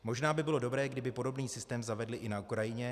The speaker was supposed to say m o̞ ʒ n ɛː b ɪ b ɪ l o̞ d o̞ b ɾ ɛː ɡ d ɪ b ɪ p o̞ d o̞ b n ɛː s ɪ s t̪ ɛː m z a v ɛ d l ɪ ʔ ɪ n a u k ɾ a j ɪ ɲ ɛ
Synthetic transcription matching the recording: m o̞ ʒ n aː b ɪ b ɪ l o̞ d o̞ b ɾ ɛː ɡ d ɪ b ɪ p o̞ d o̞ b n iː s ɪ s t̪ ɛː m z a v ɛ d l ɪ ʔ ɪ n a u k ɾ a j ɪ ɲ ɛ